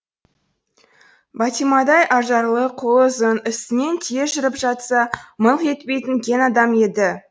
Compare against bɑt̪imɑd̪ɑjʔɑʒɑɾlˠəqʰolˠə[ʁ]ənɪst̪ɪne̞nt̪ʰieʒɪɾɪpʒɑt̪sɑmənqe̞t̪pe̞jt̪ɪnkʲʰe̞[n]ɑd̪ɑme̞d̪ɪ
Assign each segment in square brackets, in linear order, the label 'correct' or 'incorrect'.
incorrect, correct

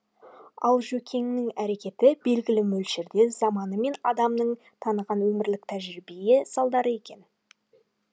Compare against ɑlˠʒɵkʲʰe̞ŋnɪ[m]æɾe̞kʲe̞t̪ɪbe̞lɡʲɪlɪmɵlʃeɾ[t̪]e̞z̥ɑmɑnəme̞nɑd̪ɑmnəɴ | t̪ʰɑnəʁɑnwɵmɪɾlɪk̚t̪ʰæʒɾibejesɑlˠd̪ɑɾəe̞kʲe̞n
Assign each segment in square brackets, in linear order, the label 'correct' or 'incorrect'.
incorrect, incorrect

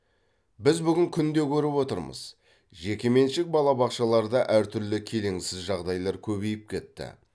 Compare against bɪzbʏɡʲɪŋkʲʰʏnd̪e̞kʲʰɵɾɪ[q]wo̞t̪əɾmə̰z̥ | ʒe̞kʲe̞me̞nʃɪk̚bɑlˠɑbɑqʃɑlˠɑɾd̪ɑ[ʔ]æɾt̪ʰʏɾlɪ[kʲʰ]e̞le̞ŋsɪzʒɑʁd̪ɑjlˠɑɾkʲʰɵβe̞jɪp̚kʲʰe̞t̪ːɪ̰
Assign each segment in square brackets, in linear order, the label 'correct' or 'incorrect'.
incorrect, correct, correct

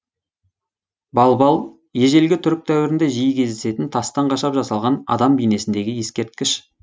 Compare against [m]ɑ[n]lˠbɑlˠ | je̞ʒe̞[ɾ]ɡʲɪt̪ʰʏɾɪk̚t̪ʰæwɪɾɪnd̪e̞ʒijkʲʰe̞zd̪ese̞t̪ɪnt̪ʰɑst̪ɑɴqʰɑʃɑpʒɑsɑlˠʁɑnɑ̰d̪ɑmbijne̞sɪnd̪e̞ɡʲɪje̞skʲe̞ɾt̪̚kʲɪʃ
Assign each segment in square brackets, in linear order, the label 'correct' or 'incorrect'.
incorrect, incorrect, incorrect

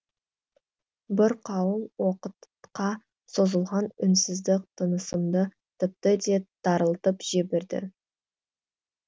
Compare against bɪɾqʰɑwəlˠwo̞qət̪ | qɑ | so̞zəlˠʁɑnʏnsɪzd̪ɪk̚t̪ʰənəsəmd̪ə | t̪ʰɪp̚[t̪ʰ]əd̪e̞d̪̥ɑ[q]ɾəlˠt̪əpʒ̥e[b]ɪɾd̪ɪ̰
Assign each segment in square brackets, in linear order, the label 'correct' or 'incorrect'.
incorrect, incorrect, correct

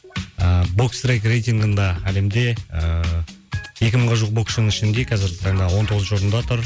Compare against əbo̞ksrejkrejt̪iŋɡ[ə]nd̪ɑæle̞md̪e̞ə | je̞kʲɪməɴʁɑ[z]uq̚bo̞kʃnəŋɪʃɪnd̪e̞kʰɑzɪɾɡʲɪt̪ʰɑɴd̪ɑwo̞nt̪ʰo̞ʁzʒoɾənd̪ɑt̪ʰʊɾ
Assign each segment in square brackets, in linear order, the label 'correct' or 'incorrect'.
correct, incorrect

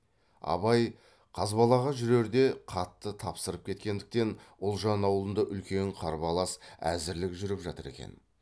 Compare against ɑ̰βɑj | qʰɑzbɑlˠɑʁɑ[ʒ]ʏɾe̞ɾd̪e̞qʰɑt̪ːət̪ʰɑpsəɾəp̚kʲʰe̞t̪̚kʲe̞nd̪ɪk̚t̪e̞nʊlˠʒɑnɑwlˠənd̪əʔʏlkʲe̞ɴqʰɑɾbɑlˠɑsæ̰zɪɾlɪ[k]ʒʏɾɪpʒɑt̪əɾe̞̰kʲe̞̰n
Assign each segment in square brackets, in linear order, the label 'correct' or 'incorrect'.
correct, correct

